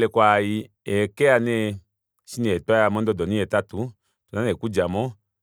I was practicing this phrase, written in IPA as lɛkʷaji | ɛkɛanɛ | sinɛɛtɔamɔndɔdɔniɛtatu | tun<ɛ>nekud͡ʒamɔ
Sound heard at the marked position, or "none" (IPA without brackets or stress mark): a